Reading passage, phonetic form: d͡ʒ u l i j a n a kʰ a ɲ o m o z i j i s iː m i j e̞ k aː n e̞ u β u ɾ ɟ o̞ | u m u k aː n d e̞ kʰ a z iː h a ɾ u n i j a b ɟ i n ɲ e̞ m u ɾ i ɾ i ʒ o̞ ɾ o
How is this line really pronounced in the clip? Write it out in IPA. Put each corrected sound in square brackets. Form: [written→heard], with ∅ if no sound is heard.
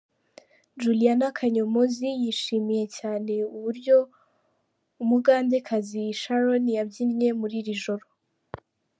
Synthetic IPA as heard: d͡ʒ u l i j a n a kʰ a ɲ o m o z i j i [s→ʃ] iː m i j e̞ [k→c] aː n e̞ u β u ɾ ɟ o̞ | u m u [k→ɡ] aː n d e̞ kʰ a z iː [h→ʃ] a ɾ [u→o] n i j a b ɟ i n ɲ e̞ m u ɾ i ɾ i ʒ o̞ ɾ o